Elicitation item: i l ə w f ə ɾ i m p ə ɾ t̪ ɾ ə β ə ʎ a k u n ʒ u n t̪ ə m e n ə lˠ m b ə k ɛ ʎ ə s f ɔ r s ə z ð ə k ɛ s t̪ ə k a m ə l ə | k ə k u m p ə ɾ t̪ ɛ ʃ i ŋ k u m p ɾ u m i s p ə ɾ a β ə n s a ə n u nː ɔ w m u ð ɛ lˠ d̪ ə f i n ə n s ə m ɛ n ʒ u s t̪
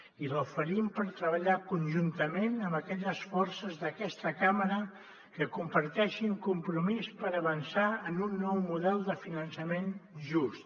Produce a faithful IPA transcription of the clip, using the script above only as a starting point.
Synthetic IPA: i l ə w f ə ɾ i m p ə ɾ t̪ ɾ ə β ə ʎ a k u n ʒ u n t̪ ə m e n ə m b ə k ɛ ʎ ə s f ɔ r s ə z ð ə k ɛ s t̪ ə k a m ə ɾ ə | k ə k u m p ə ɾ t̪ ɛ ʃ i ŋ k u m p ɾ u m i s p ə ɾ ə β ə n s a ə n u nː ɔ w m u ð ɛ lˠ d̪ ə f i n ə n s ə m e n ʒ u s t̪